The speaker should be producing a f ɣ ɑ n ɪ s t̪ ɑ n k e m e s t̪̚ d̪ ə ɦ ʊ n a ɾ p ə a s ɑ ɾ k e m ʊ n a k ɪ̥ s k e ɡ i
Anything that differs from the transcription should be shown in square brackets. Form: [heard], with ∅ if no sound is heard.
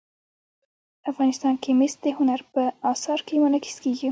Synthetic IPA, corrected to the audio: a f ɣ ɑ n ɪ s t̪ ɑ n k e m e s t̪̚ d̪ ə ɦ ʊ n a ɾ p ə [ɑ] s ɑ ɾ k e m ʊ n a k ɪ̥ s k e ɡ i